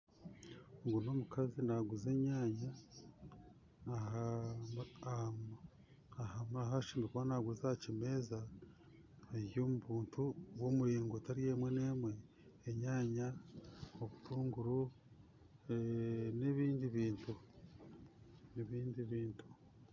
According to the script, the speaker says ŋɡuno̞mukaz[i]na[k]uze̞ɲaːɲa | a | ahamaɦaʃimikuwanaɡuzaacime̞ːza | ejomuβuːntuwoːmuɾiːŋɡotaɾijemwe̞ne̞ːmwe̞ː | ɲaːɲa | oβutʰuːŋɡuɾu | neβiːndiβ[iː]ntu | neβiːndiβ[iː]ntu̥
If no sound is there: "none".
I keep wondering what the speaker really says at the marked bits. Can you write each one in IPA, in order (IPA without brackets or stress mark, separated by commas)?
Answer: i, ɡ, iː, iː